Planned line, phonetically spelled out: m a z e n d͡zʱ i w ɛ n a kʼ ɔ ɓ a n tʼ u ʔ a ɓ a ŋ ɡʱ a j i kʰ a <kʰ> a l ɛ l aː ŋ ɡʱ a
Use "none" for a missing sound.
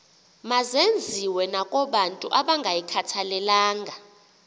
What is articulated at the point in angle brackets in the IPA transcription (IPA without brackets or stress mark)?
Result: tʰ